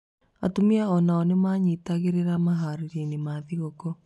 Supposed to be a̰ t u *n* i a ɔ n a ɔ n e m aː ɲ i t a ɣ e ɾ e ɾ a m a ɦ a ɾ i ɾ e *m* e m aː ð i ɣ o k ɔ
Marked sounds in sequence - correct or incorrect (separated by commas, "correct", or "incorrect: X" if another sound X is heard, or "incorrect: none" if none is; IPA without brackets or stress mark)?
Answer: incorrect: m, incorrect: n